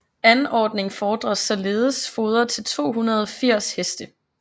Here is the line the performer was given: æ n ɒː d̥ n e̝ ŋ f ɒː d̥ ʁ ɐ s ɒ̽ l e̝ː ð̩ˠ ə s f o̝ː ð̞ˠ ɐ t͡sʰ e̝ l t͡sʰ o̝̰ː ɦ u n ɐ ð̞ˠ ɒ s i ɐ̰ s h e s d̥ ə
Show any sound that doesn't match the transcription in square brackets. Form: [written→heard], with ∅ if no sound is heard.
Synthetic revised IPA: æ n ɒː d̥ n e̝ ŋ f ɒː d̥ ʁ ɐ s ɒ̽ l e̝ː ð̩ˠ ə s f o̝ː ð̞ˠ ɐ t͡sʰ e̝ l t͡sʰ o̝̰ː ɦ u n ɐ ð̞ˠ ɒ [s→f] i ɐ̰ s h e s d̥ ə